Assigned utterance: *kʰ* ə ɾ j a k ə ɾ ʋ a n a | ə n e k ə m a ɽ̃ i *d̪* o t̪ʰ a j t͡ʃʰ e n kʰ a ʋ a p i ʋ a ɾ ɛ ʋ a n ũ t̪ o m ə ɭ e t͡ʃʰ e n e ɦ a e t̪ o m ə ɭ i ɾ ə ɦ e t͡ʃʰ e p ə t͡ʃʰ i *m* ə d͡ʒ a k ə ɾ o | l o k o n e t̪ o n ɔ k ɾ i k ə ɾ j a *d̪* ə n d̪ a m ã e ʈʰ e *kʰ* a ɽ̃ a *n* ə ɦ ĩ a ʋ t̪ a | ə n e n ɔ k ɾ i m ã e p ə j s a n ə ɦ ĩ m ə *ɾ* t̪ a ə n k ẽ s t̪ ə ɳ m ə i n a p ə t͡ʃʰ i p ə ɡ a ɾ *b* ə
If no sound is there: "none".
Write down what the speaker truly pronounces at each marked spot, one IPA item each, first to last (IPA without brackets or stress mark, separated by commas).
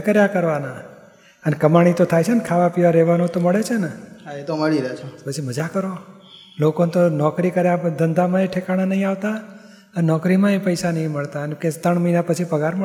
k, t̪, m, d̪, k, n, ɭ, m